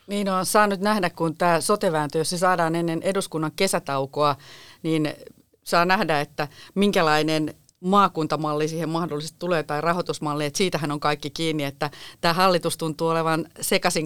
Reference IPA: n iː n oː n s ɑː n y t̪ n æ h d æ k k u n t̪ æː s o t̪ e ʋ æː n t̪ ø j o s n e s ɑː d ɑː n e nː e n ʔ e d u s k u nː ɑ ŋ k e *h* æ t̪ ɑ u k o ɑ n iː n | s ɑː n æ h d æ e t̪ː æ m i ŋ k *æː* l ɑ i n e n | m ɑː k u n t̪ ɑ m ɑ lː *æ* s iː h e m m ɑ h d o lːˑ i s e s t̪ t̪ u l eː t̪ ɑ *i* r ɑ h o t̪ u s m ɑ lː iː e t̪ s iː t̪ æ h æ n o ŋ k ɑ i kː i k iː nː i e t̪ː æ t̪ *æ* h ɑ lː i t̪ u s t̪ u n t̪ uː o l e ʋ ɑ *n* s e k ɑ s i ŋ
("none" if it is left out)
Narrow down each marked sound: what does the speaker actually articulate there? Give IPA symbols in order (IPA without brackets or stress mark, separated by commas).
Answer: s, æ, i, i, æː, n